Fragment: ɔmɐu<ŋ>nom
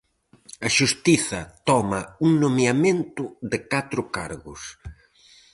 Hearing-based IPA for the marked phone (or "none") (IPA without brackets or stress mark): ŋ